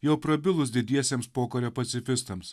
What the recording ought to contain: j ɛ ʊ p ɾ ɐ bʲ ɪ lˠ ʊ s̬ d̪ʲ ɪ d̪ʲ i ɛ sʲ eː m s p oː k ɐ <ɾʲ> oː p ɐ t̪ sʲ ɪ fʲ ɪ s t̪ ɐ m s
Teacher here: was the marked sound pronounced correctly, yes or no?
yes